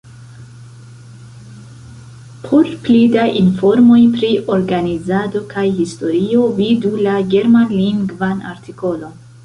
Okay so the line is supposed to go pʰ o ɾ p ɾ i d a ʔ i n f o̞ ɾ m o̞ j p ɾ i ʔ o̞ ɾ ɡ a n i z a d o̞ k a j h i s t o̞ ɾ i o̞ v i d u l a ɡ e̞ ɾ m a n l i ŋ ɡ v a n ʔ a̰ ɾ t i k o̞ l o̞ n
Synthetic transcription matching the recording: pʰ o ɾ p l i d a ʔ i n f o̞ ɾ m o̞ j p ɾ i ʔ o̞ ɾ ɡ a n i z a d o̞ k a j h i s t o̞ ɾ i o̞ v i d u l a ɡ e̞ ɾ m a n l i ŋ ɡ v a n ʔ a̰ ɾ t i k o̞ l o̞ n